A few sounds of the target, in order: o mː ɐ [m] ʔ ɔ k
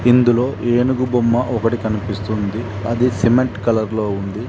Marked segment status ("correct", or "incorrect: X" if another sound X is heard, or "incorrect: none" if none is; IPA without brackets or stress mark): incorrect: none